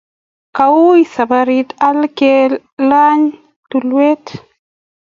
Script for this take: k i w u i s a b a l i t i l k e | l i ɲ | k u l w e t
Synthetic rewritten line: k a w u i s a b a ɾ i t a l k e | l a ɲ | t u l w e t